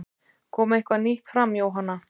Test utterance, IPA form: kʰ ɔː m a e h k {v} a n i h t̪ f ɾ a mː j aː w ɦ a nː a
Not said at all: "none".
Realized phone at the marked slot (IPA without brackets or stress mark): v